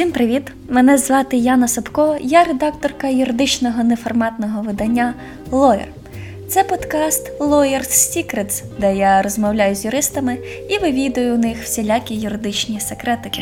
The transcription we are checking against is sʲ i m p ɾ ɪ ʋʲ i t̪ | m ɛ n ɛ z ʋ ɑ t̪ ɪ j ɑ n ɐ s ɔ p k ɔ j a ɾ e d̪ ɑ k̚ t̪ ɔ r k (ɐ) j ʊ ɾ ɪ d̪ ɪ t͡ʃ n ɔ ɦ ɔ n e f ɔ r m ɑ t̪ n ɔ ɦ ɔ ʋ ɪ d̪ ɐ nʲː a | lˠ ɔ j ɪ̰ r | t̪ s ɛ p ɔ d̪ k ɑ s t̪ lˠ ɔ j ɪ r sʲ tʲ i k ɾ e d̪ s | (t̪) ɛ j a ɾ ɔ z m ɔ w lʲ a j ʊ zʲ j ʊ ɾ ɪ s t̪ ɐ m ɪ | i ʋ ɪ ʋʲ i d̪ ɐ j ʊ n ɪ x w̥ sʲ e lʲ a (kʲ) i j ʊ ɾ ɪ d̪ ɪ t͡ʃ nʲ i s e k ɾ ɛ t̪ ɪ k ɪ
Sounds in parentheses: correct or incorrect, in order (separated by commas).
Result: correct, incorrect, correct